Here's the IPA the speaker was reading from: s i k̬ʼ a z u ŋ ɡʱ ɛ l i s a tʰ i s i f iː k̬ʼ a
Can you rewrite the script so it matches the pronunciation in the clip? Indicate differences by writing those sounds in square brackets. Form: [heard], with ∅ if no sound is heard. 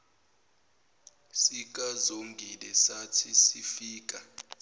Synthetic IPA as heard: s i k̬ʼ a z [o] ŋ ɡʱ [i] l [ɛ] s a tʰ i s i f iː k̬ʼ a